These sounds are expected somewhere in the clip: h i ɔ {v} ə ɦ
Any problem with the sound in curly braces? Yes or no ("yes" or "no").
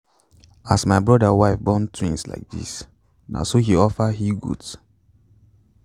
yes